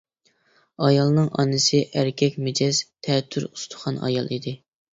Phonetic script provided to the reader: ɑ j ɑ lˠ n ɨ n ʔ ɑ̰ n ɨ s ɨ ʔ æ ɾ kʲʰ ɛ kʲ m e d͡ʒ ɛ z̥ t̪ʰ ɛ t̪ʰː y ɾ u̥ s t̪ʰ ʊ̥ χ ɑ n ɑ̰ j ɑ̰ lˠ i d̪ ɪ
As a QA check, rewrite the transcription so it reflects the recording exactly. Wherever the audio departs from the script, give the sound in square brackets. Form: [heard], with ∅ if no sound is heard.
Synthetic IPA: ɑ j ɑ lˠ n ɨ [ŋ] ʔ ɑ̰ n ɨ s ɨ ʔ æ ɾ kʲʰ ɛ kʲ m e d͡ʒ ɛ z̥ t̪ʰ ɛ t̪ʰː y ɾ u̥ s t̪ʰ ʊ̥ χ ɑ n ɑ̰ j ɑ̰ lˠ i d̪ ɪ

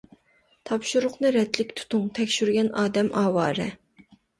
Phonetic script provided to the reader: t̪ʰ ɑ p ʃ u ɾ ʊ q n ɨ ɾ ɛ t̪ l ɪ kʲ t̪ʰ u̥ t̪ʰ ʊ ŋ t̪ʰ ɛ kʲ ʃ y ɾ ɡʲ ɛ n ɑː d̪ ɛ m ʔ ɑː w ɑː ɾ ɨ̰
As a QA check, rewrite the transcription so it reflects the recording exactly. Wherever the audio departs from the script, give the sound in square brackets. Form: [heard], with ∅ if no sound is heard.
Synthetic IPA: t̪ʰ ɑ p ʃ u ɾ ʊ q n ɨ ɾ ɛ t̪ l ɪ kʲ t̪ʰ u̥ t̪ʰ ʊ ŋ t̪ʰ ɛ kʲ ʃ y ɾ ɡʲ ɛ n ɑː d̪ ɛ m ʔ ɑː w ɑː ɾ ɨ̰

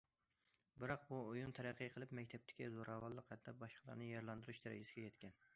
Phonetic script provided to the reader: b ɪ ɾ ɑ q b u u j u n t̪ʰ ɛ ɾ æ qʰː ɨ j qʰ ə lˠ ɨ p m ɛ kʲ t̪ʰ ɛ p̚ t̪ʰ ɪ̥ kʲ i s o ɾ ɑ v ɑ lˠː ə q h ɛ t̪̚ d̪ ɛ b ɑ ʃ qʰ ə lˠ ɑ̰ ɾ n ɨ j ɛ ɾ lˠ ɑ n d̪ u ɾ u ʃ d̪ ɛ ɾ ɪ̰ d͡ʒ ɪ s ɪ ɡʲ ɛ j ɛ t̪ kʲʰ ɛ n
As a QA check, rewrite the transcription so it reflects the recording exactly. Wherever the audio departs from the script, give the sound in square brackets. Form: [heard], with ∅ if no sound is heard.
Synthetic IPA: b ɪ ɾ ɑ q b u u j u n t̪ʰ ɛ ɾ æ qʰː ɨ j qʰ ə lˠ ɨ p m ɛ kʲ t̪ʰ ɛ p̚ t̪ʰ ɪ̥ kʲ i [z] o ɾ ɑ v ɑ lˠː ə q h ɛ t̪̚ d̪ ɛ b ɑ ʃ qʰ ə lˠ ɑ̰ ɾ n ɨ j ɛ ɾ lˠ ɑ n d̪ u ɾ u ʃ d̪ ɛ ɾ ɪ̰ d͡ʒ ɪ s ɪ ɡʲ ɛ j ɛ t̪ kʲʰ ɛ n

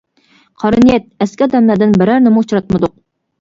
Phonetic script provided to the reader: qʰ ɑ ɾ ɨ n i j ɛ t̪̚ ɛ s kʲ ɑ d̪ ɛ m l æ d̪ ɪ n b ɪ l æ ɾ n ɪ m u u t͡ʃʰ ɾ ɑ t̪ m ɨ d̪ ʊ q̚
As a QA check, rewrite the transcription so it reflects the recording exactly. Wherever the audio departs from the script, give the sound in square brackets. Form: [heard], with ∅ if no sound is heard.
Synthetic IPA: qʰ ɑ ɾ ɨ n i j ɛ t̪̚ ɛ s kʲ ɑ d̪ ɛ m l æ d̪ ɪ n b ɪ [ɾ] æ ɾ n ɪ m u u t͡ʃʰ ɾ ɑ t̪ m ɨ d̪ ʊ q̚

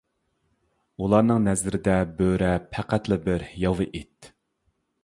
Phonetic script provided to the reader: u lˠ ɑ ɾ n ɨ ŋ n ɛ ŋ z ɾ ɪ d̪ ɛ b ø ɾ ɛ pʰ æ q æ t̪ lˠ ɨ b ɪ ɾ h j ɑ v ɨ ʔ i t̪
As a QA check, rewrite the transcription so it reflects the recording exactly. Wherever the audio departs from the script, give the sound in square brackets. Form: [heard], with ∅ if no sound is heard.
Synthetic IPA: u lˠ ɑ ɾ n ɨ ŋ n ɛ [∅] z ɾ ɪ d̪ ɛ b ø ɾ ɛ pʰ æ q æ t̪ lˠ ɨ b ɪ ɾ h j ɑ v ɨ ʔ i t̪

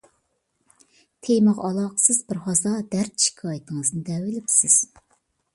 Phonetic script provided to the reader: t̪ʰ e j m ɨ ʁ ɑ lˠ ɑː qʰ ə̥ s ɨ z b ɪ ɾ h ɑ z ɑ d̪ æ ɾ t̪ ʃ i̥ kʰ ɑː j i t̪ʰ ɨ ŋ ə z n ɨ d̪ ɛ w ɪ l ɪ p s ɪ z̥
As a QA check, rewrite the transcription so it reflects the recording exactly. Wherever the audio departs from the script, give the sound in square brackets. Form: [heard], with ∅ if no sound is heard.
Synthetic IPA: t̪ʰ e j m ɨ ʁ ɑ lˠ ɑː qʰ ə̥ s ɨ z b ɪ ɾ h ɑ z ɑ d̪ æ ɾ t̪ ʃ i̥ kʰ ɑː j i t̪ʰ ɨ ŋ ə z n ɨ d̪ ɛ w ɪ l ɪ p s ɪ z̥

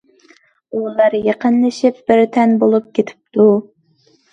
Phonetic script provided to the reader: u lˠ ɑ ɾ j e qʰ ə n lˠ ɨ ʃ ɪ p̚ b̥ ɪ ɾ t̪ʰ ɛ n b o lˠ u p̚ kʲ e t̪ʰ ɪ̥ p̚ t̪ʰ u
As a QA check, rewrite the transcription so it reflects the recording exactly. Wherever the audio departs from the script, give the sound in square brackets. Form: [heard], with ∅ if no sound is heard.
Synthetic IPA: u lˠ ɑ ɾ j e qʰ ə n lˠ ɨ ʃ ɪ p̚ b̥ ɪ ɾ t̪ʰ ɛ n b o lˠ u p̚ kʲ e t̪ʰ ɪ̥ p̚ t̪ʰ u

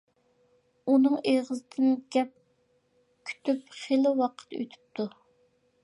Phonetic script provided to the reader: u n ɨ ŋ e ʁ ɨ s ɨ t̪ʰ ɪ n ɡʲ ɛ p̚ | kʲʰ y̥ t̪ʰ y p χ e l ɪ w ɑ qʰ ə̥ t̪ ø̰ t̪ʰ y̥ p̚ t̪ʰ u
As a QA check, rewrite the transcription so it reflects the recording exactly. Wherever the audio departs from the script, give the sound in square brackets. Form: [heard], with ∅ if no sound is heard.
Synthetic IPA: u n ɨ ŋ e ʁ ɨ [z] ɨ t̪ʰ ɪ n ɡʲ ɛ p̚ | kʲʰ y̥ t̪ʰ y p χ e l ɪ w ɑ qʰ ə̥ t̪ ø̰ t̪ʰ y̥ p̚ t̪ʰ u

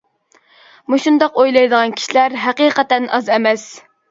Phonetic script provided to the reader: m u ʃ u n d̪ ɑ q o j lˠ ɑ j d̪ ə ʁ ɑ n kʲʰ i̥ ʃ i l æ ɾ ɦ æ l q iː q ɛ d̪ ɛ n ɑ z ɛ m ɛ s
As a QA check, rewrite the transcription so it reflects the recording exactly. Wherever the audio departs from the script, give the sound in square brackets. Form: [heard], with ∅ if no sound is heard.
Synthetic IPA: m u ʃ u n d̪ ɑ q o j lˠ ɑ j d̪ ə ʁ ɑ n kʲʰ i̥ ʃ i l æ ɾ ɦ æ [∅] q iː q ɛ [t̪] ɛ n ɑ z ɛ m ɛ s

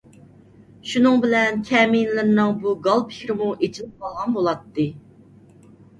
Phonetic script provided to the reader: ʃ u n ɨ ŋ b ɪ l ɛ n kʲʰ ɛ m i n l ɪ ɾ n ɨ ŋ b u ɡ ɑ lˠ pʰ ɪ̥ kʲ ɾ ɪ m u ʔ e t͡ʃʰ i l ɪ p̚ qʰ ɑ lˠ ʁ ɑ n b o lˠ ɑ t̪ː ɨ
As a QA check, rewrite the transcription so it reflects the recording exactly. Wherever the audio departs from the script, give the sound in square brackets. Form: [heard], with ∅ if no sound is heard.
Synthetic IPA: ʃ u n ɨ ŋ b ɪ l ɛ n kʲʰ ɛ m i n l ɪ ɾ n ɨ ŋ b u ɡ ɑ lˠ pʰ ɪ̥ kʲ ɾ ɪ m u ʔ e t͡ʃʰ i l ɪ p̚ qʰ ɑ lˠ ʁ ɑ n b o lˠ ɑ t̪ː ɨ

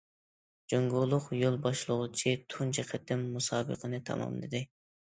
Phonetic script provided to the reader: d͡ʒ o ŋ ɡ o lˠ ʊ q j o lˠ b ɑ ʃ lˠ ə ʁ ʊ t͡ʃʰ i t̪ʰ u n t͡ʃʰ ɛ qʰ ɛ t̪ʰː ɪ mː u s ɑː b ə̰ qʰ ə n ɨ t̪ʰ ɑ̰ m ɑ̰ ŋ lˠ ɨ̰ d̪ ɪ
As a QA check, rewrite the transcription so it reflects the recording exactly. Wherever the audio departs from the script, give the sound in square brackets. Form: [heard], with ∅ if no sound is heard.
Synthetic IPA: d͡ʒ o ŋ ɡ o lˠ ʊ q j o lˠ b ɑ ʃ lˠ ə ʁ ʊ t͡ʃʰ i t̪ʰ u n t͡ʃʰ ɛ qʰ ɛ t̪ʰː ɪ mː u s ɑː b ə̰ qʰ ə n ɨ t̪ʰ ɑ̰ m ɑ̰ [m] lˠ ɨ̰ d̪ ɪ

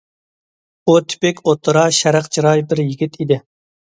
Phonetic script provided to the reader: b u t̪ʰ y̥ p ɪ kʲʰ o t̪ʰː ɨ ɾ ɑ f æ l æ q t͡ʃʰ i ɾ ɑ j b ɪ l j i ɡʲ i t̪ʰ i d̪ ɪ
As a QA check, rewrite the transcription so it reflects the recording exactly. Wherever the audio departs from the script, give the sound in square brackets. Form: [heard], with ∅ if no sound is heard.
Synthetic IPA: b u t̪ʰ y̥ p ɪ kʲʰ o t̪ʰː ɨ ɾ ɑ [ʃ] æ [ɾ] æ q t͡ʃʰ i ɾ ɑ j b ɪ [ɾ] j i ɡʲ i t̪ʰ i d̪ ɪ

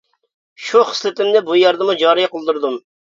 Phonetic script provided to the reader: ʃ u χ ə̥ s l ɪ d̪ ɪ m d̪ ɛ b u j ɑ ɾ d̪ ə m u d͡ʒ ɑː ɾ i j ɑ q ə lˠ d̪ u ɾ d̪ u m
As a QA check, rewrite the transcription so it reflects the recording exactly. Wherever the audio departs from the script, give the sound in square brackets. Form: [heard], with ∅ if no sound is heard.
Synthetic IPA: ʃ u χ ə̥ s l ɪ [t̪] ɪ m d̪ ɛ b u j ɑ ɾ d̪ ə m u d͡ʒ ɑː ɾ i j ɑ q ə lˠ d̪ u ɾ d̪ u m

